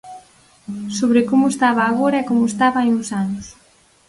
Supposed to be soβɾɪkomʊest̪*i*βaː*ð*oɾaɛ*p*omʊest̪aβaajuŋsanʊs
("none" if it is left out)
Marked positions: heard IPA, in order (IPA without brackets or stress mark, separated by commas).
a, ɣ, k